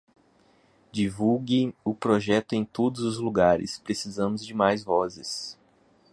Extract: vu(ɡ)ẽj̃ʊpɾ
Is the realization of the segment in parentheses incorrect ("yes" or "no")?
no